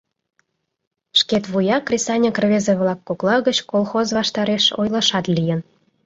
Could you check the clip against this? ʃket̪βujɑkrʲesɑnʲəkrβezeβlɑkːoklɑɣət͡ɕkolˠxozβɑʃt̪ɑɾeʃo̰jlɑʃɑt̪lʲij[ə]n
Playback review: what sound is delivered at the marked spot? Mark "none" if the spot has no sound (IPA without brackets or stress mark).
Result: ə